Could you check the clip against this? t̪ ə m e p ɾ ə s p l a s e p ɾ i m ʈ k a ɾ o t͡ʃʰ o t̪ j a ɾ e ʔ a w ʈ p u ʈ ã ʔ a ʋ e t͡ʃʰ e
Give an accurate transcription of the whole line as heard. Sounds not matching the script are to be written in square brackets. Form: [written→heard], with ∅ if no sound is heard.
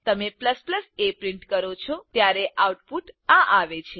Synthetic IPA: t̪ ə m e p [ɾ→l] ə s p l [a→ə] s e p ɾ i [m→ɳ] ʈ k [a→ə] ɾ o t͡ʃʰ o t̪ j a ɾ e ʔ a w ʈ p u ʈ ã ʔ a ʋ e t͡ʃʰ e